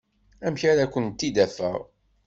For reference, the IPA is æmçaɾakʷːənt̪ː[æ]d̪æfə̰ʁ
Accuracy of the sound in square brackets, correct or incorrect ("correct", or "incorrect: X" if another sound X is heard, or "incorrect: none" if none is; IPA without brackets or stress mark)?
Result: incorrect: i